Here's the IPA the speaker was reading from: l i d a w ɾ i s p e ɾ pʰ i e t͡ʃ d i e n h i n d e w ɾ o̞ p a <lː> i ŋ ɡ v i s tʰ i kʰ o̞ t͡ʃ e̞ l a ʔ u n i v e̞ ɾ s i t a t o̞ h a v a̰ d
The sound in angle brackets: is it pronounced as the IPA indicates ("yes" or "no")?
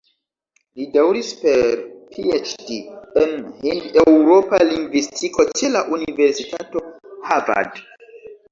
no